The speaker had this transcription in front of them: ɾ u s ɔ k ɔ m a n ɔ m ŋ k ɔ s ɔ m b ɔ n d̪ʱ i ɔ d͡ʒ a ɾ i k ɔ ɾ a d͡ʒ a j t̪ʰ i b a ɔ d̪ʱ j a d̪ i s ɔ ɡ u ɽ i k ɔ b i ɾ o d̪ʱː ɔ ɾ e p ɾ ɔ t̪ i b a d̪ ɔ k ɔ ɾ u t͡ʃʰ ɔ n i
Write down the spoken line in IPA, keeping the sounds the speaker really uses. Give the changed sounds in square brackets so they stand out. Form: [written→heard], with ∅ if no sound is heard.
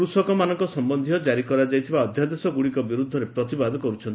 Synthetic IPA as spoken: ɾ u s ɔ k ɔ m a n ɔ [m→∅] ŋ k ɔ s ɔ m b ɔ n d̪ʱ i ɔ d͡ʒ a ɾ i k ɔ ɾ a d͡ʒ a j t̪ʰ i b a ɔ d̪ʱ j a d̪ [i→e] s ɔ ɡ u ɽ i k ɔ b i ɾ [o→u] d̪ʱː ɔ ɾ e p ɾ ɔ t̪ i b a d̪ ɔ k ɔ ɾ u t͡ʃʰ ɔ n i